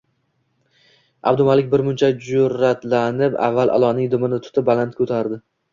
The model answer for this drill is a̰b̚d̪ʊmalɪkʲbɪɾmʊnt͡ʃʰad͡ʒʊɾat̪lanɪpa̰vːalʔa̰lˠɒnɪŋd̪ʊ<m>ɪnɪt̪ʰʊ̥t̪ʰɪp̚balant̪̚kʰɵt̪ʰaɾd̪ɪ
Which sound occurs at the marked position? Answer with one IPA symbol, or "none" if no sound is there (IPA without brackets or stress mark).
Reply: m